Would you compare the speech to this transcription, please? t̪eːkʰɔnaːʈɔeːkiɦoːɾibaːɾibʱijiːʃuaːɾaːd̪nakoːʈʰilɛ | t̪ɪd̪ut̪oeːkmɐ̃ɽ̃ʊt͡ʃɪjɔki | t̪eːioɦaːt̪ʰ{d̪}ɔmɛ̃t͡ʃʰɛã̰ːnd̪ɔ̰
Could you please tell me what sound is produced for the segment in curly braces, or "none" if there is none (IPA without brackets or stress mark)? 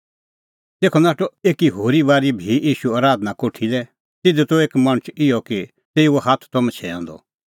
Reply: t̪